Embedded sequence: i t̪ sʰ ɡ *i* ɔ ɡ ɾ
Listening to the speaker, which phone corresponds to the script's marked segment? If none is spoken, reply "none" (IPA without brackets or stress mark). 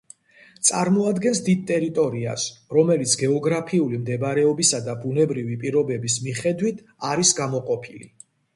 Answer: ɛ